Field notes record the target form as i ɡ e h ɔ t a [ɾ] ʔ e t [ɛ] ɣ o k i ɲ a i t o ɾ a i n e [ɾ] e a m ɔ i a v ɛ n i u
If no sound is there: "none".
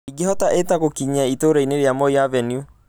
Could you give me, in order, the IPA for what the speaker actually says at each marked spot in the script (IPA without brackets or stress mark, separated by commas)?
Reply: none, a, ɾ